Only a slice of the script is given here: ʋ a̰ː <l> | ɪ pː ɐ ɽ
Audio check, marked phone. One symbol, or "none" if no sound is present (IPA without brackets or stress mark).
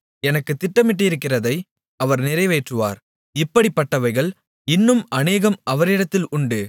ɾ